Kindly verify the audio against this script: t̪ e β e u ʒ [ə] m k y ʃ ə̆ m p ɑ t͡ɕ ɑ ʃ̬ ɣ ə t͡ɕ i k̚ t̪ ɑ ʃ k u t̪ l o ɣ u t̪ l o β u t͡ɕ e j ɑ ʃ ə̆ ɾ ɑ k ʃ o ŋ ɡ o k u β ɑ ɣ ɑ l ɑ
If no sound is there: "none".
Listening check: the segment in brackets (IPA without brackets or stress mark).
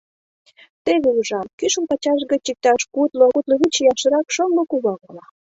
ɑ